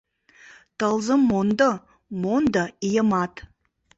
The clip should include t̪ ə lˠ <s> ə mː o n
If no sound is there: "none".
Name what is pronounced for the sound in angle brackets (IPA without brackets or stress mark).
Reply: z